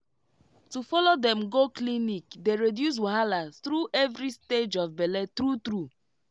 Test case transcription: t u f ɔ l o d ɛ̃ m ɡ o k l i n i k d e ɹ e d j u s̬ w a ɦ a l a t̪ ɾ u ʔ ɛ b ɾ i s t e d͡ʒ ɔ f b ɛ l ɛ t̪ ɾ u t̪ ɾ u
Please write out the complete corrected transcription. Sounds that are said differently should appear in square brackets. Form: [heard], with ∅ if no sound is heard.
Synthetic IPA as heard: t u f ɔ l o d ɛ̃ m ɡ o k l i n i k d e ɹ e d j u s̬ w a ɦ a l a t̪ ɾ u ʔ ɛ [v] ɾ i s t e d͡ʒ ɔ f b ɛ l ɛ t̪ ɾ u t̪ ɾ u